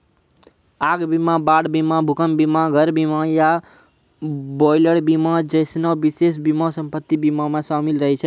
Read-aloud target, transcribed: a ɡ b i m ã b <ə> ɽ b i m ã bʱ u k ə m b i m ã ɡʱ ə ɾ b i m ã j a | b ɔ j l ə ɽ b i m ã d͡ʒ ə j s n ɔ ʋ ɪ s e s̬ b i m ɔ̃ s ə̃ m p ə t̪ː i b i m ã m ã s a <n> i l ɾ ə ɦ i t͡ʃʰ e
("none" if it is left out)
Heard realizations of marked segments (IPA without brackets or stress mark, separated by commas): a, m